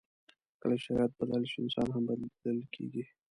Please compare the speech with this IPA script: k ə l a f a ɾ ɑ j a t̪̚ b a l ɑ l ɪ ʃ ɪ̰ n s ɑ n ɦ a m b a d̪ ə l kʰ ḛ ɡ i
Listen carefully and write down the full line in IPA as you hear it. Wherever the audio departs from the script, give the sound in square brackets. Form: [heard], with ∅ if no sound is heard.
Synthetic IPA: k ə l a [ʃ] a ɾ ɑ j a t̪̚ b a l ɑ l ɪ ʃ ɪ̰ n s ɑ n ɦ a m b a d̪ ə l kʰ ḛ ɡ i